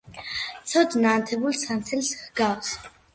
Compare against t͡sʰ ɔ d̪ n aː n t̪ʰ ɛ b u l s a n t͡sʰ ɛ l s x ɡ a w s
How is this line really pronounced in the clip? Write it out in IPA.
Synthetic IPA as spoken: t͡sʰ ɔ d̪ n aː n t̪ʰ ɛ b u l s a n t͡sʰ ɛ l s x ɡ a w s